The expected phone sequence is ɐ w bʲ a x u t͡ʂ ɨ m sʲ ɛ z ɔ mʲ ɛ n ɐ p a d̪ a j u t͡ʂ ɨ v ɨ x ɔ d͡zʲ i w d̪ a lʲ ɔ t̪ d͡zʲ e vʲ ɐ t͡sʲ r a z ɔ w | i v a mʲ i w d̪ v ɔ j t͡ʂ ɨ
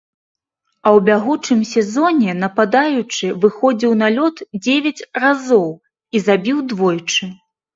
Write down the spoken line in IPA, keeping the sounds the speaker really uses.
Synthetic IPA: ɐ w bʲ a ɣ u t͡ʂ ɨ m sʲ ɛ z ɔ nʲ ɛ n ɐ p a d̪ a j u t͡ʂ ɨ v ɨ x ɔ d͡zʲ i w n̪ a lʲ ɔ t̪ d͡zʲ e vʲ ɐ t͡sʲ r a z ɔ w | i z a bʲ i w d̪ v ɔ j t͡ʂ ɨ

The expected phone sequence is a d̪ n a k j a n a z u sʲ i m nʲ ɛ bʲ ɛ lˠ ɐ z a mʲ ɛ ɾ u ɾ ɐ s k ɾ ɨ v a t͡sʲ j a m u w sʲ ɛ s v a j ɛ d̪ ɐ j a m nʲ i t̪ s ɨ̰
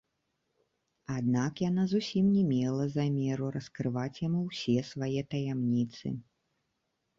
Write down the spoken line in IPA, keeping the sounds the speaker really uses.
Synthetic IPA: a d̪ n a k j a n a z u sʲ i m nʲ ɛ mʲ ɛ lˠ ɐ z a mʲ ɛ ɾ u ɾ ɐ s k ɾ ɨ v a t͡sʲ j a m u w sʲ ɛ s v a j ɛ t̪ ɐ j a m nʲ i t̪ s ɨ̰

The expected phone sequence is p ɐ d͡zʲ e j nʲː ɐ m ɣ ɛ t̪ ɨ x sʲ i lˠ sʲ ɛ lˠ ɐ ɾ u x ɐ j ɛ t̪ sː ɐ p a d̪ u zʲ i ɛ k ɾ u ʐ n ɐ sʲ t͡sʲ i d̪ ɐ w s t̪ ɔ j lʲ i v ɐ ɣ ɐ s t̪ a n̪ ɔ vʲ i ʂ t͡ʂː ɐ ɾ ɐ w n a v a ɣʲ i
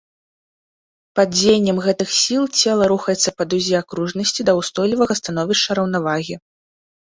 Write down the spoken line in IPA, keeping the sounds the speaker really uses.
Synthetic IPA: p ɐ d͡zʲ e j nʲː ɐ m ɣ ɛ t̪ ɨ x sʲ i lˠ t͡sʲ ɛ lˠ ɐ ɾ u x ɐ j ɛ t̪ sː ɐ p ɐ d̪ u zʲ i a k ɾ u ʐ n ɐ sʲ t͡sʲ i d̪ ɐ w s t̪ ɔ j lʲ i v ɐ ɣ ɐ s t̪ a n̪ ɔ vʲ i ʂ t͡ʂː ɐ ɾ ɐ w n a v a ɣʲ i

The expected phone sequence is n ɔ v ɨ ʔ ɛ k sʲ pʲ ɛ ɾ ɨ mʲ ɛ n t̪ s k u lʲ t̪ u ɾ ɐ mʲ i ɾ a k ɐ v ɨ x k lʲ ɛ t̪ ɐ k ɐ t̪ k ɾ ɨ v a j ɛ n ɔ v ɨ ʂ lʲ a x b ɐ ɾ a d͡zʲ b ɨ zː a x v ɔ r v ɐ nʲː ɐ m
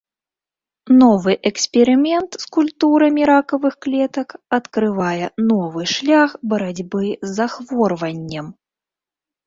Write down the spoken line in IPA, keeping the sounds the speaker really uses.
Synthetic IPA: n ɔ v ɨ ʔ ɛ k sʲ pʲ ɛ ɾ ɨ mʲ ɛ n t̪ s k u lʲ t̪ u ɾ ɐ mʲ i ɾ a k ɐ v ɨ x k lʲ ɛ t̪ ɐ k ɐ t̪ k ɾ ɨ v a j ɛ n ɔ v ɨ ʂ lʲ a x b ɐ ɾ a d͡zʲ b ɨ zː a x v ɔ r v ɐ nʲː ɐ m

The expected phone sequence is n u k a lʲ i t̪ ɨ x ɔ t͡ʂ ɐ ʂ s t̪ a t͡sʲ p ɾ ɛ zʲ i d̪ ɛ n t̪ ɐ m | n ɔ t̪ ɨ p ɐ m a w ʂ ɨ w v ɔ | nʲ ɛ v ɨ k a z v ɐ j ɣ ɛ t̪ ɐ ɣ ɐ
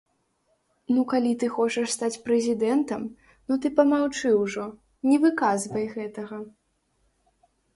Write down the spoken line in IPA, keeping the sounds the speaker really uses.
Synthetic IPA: n u k a lʲ i t̪ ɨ x ɔ t͡ʂ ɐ ʂ s t̪ a t͡sʲ p ɾ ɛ zʲ i d̪ ɛ n t̪ ɐ m | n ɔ t̪ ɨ p ɐ m a w t͡ʂ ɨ w ʐ ɔ | nʲ ɛ v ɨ k a z v ɐ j ɣ ɛ t̪ ɐ ɣ ɐ

